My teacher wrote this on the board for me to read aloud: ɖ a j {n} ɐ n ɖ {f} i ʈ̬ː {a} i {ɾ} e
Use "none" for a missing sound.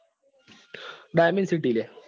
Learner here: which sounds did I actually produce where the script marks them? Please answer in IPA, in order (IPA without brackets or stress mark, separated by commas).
m, s, i, l